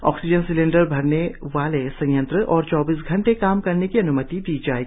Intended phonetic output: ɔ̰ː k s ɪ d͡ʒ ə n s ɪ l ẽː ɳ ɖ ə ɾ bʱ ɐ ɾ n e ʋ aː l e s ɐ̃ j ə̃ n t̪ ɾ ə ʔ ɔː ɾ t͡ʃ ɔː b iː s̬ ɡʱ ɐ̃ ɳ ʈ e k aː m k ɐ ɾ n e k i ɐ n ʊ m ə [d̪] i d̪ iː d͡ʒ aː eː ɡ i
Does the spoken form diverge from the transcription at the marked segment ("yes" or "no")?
yes